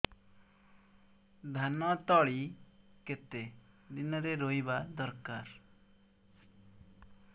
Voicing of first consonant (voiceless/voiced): voiced